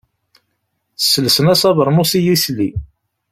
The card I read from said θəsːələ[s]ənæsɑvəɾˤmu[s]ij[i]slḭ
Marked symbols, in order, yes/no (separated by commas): yes, yes, yes